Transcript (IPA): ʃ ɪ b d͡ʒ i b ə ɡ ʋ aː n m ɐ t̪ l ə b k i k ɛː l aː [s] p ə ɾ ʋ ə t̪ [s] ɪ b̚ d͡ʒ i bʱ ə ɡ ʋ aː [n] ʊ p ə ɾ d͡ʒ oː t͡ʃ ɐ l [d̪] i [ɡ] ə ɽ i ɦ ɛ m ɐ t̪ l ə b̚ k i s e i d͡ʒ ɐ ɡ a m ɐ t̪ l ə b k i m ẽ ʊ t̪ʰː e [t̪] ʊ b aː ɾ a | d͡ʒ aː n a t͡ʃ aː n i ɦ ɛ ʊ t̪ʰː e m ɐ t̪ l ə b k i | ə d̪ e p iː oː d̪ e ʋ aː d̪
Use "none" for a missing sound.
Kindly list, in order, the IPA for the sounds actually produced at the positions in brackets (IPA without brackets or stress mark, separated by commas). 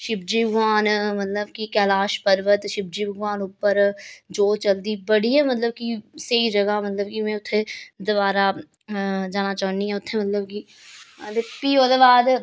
ʃ, ʃ, n, d̪, b, d̪